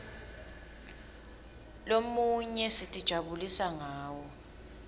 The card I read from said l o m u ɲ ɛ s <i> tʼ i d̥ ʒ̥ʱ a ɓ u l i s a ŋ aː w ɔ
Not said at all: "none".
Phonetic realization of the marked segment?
i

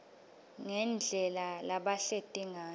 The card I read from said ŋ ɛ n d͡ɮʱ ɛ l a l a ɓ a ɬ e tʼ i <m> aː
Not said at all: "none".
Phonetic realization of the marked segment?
ŋ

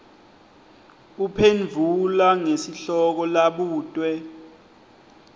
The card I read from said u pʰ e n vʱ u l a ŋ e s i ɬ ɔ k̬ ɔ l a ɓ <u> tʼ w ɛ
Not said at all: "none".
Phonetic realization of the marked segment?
uː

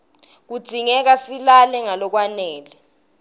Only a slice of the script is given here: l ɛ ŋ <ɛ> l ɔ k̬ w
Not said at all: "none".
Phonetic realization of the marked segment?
a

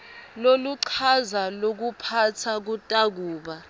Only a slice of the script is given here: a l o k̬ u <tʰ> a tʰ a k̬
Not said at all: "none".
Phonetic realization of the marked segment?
pʰ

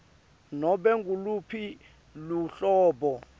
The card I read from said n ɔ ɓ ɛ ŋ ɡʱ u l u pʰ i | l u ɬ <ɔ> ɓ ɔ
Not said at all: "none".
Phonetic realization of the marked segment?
ɔː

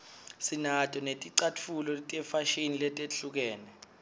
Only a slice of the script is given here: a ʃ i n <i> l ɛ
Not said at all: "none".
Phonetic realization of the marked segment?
i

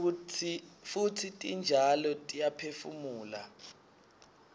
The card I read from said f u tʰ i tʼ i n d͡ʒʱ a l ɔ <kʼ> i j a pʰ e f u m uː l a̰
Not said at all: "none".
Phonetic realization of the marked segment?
tʼ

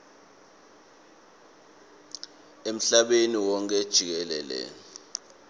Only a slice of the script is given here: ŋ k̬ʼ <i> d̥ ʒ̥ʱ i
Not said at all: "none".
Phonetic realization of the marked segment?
ɛ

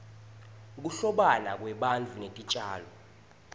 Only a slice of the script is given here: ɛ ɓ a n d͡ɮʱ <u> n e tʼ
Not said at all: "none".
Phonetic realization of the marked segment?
u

